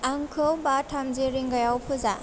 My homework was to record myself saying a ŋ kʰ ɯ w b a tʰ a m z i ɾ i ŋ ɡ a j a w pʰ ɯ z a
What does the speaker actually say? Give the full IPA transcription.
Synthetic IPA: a ŋ kʰ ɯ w b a tʰ a m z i ɾ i ŋ ɡ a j a w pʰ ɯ z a

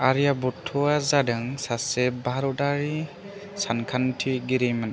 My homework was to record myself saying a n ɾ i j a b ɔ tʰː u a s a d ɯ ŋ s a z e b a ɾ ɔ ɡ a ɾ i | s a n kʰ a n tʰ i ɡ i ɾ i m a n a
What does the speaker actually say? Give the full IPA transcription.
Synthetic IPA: a ɾ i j a b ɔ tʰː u a z a d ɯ ŋ s a s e b a ɾ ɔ d a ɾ i | s a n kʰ a n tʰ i ɡ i ɾ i m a n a

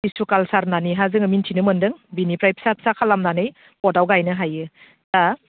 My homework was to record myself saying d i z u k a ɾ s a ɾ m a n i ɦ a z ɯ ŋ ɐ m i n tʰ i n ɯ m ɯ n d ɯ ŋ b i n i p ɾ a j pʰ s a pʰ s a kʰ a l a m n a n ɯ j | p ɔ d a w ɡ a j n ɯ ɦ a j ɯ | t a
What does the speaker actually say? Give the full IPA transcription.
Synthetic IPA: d i s u k a l s a ɾ n a n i ɦ a z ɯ ŋ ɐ m i n tʰ i n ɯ m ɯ n d ɯ ŋ b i n i p ɾ a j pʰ s a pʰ s a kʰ a l a m n a n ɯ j | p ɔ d a w ɡ a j n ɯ ɦ a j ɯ | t a

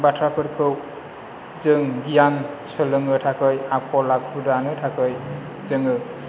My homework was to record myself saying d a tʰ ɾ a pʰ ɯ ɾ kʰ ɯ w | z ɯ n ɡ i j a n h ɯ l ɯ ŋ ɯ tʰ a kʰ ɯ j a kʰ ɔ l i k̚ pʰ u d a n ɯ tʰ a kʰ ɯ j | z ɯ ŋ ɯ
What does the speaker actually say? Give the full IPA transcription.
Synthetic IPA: b a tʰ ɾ a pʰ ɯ ɾ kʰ ɯ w | z ɯ ŋ ɡ i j a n s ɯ l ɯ ŋ ɯ tʰ a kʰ ɯ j a kʰ ɔ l a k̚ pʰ u d a n ɯ tʰ a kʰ ɯ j | z ɯ ŋ ɯ

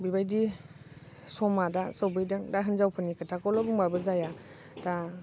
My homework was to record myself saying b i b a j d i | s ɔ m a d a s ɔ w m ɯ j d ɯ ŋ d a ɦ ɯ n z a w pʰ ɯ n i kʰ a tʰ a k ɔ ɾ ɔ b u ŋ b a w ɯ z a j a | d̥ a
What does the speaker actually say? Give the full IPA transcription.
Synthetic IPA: b i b a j d i | s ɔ m a d a s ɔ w b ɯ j d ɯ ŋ d a ɦ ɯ n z a w pʰ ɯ n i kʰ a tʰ a k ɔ l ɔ b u ŋ b a b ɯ z a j a | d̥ a

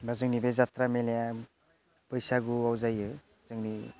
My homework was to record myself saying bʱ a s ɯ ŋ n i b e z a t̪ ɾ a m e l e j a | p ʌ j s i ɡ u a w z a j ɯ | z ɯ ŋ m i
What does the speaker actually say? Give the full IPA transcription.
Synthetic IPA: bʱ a z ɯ ŋ n i b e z a t̪ ɾ a m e l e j a | p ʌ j s a ɡ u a w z a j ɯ | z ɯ ŋ n i

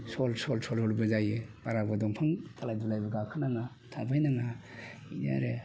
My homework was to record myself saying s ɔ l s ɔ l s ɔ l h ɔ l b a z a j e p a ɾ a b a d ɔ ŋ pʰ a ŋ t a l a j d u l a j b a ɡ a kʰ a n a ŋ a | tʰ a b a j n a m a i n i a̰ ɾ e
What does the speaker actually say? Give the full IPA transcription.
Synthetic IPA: s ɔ l s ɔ l s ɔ l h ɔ l b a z a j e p a ɾ a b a d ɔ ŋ pʰ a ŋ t a l a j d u l a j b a ɡ a kʰ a n a ŋ a | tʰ a b a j n a ŋ a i n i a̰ ɾ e

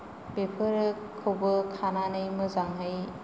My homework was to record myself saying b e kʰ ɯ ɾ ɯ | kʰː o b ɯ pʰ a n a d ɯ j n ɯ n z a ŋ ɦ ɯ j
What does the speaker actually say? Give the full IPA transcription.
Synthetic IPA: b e pʰ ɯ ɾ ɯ | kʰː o b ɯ kʰ a n a n ɯ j m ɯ z a ŋ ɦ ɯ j

